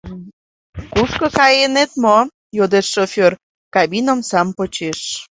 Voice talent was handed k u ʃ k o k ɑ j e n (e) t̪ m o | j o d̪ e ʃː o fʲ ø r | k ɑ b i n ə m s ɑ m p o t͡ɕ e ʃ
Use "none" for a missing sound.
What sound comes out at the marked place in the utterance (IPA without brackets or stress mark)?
e